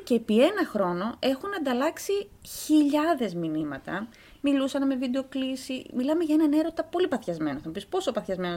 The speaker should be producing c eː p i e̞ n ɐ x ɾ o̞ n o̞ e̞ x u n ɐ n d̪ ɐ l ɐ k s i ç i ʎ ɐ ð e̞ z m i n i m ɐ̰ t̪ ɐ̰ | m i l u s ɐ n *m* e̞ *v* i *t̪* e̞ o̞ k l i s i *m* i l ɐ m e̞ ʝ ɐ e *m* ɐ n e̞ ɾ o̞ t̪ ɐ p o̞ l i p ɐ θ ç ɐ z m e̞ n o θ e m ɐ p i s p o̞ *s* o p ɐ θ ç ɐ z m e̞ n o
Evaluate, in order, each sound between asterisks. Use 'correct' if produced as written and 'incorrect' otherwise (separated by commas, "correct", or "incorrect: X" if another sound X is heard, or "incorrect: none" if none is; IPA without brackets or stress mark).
correct, correct, incorrect: d̪, correct, incorrect: n, correct